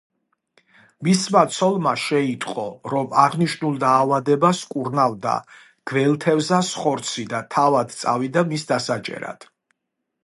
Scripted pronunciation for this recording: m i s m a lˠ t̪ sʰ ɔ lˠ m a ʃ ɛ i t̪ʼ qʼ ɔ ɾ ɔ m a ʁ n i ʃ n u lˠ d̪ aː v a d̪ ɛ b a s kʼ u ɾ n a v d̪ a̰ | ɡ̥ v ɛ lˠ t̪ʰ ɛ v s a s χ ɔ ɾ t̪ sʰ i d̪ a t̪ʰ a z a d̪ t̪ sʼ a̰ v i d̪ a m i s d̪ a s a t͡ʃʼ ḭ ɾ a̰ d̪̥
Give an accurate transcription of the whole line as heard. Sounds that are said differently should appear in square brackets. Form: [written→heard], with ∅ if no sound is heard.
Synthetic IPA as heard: m i s m a [lˠ→∅] t̪ sʰ ɔ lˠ m a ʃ ɛ i t̪ʼ qʼ ɔ ɾ ɔ m a ʁ n i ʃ n u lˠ d̪ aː v a d̪ ɛ b a s kʼ u ɾ n a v d̪ a̰ | ɡ̥ v ɛ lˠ t̪ʰ ɛ v [s→z] a s χ ɔ ɾ t̪ sʰ i d̪ a t̪ʰ a [z→v] a d̪ t̪ sʼ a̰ v i d̪ a m i s d̪ a s a t͡ʃʼ [ḭ→ɛ̰] ɾ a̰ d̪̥